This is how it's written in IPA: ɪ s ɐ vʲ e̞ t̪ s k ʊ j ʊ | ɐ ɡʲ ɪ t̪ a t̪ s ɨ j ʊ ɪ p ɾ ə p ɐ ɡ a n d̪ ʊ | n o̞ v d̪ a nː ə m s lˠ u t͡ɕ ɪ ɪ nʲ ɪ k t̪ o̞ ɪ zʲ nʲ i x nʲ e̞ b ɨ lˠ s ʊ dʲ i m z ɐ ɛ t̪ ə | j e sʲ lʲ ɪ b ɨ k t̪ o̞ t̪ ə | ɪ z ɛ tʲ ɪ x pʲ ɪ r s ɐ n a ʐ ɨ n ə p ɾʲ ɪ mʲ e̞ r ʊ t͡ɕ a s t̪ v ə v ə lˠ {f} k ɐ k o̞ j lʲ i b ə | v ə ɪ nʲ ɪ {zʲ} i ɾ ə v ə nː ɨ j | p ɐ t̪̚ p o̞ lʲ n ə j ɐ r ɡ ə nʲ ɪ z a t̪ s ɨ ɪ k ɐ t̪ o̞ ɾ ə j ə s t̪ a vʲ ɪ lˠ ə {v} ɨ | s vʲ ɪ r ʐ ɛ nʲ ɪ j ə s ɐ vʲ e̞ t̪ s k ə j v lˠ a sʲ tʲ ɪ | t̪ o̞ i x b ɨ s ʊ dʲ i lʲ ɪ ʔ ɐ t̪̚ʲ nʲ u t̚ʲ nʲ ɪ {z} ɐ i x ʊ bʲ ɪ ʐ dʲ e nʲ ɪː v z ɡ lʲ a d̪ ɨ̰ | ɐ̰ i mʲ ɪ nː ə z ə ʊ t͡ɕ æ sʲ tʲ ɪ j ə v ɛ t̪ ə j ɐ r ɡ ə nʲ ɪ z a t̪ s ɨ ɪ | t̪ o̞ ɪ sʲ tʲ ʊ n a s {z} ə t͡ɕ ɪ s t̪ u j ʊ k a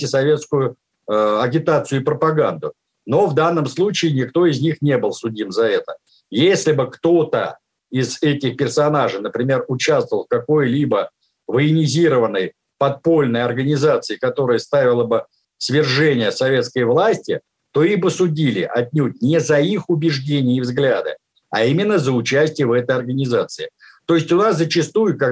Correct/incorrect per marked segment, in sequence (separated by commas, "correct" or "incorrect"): correct, correct, incorrect, correct, correct